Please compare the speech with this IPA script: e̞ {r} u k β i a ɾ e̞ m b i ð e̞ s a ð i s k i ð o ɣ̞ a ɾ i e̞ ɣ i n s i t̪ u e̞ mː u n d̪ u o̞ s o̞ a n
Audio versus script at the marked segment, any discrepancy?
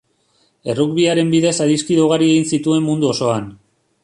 no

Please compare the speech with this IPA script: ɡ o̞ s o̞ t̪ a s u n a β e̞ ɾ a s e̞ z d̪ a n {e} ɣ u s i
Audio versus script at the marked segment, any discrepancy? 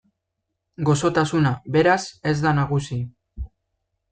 yes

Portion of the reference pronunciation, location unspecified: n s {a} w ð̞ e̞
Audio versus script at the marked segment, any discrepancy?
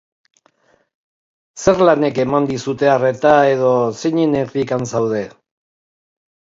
no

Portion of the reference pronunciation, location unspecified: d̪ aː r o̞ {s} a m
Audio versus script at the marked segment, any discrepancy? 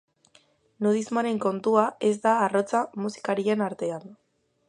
yes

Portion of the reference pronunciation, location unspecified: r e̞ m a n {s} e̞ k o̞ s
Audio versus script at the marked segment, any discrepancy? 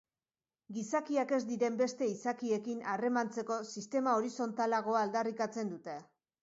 yes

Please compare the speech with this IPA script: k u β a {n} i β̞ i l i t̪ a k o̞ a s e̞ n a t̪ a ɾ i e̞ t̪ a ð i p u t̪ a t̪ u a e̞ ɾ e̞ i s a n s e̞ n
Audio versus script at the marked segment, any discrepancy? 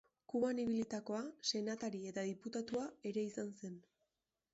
no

